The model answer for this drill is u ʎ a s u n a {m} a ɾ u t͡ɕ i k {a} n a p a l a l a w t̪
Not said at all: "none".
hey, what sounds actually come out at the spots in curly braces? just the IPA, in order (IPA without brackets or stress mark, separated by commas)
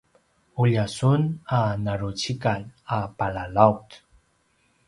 n, a